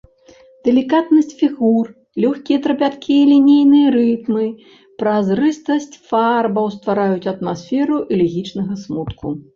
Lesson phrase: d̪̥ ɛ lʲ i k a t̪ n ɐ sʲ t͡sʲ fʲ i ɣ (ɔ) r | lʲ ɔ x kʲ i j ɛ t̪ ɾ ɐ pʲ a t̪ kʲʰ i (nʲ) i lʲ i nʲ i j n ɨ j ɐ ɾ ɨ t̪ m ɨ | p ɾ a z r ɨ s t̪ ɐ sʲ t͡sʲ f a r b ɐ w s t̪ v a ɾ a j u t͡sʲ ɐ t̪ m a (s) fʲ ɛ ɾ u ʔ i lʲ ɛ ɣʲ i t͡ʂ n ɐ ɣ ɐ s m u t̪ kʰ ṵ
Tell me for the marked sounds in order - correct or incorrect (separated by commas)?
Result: incorrect, incorrect, correct